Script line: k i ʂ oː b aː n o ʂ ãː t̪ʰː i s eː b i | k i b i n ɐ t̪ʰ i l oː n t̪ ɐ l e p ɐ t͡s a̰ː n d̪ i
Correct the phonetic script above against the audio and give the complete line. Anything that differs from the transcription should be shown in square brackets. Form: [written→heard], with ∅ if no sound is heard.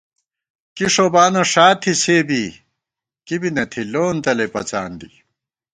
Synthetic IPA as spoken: k i ʂ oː b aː n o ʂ [ãː→aː] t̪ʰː i s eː b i | k i b i n ɐ t̪ʰ i l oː n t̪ ɐ l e p ɐ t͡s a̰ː n d̪ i

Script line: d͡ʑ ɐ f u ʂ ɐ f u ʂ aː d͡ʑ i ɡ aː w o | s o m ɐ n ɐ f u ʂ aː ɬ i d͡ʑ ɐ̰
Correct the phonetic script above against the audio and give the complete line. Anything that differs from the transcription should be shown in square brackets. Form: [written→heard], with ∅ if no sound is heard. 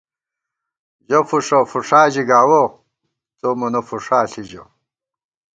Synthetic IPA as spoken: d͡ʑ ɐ f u ʂ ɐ f u ʂ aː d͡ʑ i ɡ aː w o | [s→t͡s] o m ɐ n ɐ f u ʂ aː ɬ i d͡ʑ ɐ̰

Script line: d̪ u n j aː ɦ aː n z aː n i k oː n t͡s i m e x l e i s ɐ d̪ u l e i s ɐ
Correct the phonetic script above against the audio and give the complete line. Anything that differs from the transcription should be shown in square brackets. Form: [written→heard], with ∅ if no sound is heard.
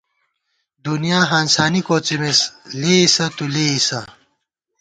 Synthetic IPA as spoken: d̪ u n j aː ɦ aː n [z→s] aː n i k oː [n→∅] t͡s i m e [x→s] l e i s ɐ [d̪→t̪] u l e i s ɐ

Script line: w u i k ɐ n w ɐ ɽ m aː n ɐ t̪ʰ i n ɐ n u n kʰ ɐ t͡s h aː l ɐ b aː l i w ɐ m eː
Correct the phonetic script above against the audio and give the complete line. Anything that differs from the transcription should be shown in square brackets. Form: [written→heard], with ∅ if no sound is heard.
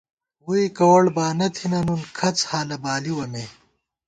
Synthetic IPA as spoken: w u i k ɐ [n→∅] w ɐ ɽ [m→b] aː n ɐ t̪ʰ i n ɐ n u n kʰ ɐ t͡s h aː l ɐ b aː l i w ɐ m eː

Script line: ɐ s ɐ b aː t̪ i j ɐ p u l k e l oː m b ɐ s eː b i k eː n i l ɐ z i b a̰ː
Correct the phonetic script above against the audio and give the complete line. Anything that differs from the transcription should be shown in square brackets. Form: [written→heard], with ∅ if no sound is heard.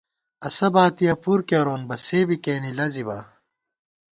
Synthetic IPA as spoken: ɐ s ɐ b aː t̪ i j ɐ p u [l→ɾ] k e [l→ɾ] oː [m→n] b ɐ s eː b i k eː n i l ɐ z i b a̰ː

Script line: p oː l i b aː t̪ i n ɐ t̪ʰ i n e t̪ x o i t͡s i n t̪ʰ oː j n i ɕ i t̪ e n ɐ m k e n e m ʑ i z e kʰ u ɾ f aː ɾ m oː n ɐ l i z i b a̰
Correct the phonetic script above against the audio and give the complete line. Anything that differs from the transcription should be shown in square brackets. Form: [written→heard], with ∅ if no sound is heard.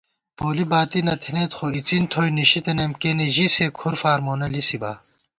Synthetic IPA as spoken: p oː l i b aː t̪ i n ɐ t̪ʰ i n e t̪ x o i t͡s i n t̪ʰ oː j n i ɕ i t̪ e n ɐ m k e n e [m→∅] ʑ i [z→s] e kʰ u ɾ f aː ɾ m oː n ɐ l i [z→s] i b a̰

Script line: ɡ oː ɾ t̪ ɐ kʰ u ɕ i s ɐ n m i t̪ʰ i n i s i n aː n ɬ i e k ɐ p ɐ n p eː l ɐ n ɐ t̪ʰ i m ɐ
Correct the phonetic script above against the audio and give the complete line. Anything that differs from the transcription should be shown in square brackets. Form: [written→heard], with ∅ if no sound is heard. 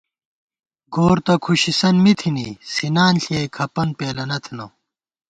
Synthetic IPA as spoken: ɡ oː ɾ t̪ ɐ kʰ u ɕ i s ɐ n m i t̪ʰ i n i s i n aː n ɬ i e [k→kʰ] ɐ p ɐ n p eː l ɐ n ɐ t̪ʰ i [m→n] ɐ

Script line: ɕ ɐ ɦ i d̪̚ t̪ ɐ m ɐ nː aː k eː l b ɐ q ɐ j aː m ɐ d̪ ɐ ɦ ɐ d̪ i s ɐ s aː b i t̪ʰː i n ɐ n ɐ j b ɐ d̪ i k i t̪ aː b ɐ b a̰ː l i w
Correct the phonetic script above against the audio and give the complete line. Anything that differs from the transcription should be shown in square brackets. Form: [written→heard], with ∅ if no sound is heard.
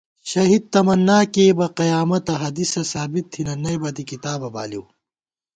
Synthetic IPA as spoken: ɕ ɐ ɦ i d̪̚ t̪ ɐ m ɐ nː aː k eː [l→∅] b ɐ q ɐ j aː m ɐ [d̪→t̪] ɐ ɦ ɐ d̪ i s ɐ s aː b i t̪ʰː i n ɐ n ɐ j b ɐ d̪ i k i t̪ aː b ɐ b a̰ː l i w

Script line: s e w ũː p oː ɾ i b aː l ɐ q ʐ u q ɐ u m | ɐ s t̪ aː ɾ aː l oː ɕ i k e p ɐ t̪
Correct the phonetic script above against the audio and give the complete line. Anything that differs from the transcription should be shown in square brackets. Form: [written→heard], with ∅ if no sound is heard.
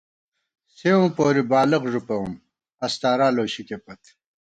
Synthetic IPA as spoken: s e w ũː p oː ɾ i b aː l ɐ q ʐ u [q→p] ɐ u m | ɐ s t̪ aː ɾ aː l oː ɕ i k e p ɐ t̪

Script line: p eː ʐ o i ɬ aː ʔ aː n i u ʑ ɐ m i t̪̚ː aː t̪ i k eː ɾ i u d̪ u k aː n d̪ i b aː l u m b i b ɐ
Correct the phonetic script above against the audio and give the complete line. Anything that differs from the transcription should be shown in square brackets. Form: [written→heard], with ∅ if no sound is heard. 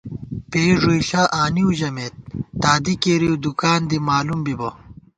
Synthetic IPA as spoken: p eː ʐ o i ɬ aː ʔ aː n i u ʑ ɐ m [i→e] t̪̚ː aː [t̪→d̪] i k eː ɾ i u d̪ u k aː n d̪ i [b→m] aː l u m b i b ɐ

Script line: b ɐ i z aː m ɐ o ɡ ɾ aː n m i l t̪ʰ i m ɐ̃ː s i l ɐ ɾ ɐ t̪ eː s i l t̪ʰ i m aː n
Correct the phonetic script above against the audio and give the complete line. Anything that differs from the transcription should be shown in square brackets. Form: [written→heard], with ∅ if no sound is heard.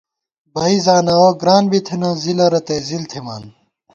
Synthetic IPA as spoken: b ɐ i z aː [m→n] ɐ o ɡ ɾ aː n [m→b] i [l→∅] t̪ʰ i [m→n] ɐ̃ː [s→z] i l ɐ ɾ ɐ t̪ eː [s→z] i l t̪ʰ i m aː n

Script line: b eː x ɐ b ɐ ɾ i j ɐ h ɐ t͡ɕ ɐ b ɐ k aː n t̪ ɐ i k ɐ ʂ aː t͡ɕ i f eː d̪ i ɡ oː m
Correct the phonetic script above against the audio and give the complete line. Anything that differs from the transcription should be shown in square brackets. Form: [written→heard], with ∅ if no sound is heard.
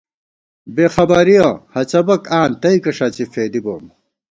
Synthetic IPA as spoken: b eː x ɐ b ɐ ɾ i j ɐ h ɐ t͡ɕ ɐ b ɐ k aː n t̪ ɐ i k ɐ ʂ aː t͡ɕ i f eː d̪ i [ɡ→b] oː m

